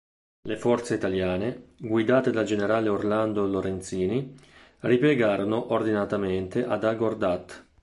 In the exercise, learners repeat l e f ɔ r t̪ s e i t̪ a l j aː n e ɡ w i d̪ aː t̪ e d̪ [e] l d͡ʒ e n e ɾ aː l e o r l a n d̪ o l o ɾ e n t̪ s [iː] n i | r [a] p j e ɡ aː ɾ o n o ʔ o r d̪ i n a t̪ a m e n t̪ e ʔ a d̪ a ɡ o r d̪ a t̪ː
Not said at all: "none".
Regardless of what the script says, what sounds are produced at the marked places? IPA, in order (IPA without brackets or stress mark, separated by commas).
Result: a, iː, i